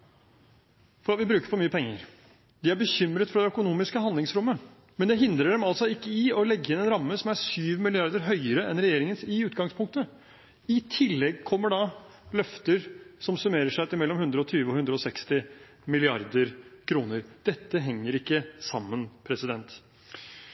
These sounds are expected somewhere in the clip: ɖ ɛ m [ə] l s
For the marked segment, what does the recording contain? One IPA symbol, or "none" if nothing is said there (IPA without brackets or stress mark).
ɑ